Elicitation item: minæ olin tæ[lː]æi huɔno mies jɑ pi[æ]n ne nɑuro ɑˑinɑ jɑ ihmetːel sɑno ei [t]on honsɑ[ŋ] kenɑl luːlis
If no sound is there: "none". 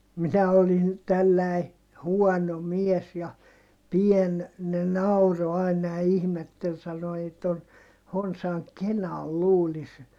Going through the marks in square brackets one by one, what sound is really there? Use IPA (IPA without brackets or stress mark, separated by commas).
lː, e, t, ŋ